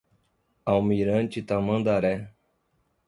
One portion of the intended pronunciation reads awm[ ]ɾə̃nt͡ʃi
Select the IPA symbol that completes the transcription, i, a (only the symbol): i